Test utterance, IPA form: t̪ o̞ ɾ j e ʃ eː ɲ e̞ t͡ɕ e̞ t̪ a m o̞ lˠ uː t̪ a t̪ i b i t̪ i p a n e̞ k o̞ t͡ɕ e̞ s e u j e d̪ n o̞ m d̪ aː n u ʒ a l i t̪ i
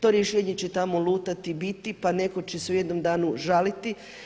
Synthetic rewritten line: t̪ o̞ ɾ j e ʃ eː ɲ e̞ t͡ɕ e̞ t̪ a m o̞ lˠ uː t̪ a t̪ i b i t̪ i p a n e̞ k o̞ t͡ɕ e̞ s e u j e d̪ n o̞ m d̪ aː n u ʒ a l i t̪ i